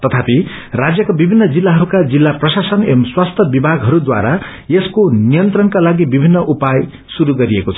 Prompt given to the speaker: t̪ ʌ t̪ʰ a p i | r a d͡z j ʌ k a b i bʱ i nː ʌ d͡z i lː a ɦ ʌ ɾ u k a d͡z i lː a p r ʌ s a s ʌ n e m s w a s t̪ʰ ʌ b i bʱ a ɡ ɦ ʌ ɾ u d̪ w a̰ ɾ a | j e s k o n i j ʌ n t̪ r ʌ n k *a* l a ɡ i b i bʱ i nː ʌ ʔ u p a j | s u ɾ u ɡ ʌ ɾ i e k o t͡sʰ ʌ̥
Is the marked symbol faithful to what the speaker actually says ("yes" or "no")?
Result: yes